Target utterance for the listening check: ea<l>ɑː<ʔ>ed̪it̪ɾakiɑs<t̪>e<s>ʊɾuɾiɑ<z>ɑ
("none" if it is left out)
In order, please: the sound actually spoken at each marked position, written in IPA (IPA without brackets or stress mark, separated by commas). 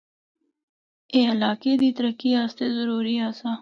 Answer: l, k, t̪, z, s